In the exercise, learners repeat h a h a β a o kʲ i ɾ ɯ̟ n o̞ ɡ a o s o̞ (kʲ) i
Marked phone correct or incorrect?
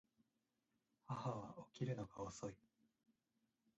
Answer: incorrect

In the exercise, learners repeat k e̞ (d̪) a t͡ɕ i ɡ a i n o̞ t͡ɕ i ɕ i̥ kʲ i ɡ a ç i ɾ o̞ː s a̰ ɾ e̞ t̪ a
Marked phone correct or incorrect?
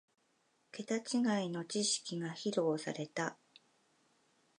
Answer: incorrect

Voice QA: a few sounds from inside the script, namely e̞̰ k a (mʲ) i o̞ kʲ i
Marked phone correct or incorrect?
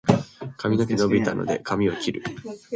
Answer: correct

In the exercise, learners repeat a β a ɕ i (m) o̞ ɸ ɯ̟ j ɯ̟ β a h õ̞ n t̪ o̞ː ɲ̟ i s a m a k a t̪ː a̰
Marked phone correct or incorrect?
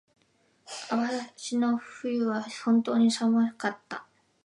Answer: incorrect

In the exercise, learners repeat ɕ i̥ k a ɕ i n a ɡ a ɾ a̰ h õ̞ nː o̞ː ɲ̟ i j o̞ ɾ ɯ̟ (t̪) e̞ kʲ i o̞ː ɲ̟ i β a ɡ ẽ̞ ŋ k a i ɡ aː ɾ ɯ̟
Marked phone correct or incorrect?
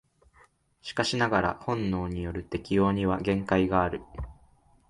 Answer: correct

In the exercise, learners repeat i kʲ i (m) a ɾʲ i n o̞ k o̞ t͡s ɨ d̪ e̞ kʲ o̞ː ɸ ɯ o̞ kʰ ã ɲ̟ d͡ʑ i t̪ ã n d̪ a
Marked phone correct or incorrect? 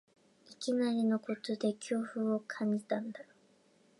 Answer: incorrect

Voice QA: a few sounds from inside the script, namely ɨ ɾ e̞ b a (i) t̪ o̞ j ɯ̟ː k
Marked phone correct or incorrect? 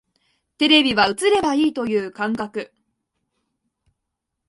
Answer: incorrect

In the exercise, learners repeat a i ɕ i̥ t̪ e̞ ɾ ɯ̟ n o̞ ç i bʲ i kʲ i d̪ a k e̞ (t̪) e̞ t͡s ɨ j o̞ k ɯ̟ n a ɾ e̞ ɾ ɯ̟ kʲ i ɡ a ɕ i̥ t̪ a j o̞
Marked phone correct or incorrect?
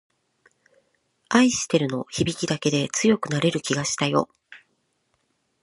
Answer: incorrect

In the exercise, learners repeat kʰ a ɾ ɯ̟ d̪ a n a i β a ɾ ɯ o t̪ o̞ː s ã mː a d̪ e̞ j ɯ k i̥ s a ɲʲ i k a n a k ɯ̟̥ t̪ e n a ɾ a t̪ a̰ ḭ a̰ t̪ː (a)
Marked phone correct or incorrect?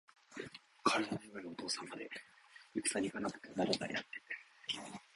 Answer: incorrect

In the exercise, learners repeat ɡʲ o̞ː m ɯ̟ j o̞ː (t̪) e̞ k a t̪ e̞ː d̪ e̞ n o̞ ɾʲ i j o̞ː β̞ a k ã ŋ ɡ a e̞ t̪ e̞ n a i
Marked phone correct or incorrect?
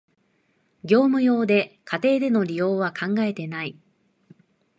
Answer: incorrect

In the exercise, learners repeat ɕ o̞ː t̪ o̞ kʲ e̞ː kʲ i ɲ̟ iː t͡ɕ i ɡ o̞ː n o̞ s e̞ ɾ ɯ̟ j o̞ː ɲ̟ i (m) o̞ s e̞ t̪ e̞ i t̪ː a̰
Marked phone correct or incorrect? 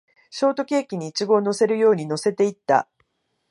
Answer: incorrect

